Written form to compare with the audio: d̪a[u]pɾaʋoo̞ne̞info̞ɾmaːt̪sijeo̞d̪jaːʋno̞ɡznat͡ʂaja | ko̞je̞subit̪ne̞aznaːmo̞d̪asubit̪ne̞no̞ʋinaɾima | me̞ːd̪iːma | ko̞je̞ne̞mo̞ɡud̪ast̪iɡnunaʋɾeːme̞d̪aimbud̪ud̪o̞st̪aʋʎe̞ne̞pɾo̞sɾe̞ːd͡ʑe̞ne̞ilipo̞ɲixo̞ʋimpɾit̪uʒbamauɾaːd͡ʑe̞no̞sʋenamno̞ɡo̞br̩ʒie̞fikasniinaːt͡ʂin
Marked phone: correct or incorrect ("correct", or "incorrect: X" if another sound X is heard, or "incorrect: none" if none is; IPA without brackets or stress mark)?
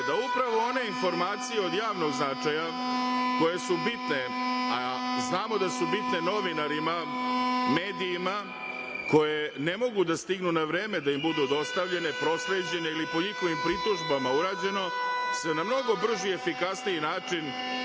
correct